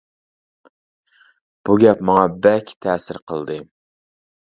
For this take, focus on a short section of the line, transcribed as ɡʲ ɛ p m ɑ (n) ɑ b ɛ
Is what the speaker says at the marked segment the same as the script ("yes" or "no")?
no